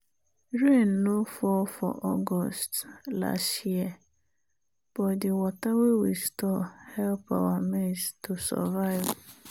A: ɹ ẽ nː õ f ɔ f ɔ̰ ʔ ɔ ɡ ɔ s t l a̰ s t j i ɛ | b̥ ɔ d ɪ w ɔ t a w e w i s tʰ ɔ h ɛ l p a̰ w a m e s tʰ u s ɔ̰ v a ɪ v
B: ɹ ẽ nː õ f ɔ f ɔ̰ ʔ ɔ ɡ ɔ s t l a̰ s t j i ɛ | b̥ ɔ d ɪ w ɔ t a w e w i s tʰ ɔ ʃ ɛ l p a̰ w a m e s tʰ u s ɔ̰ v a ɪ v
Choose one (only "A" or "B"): A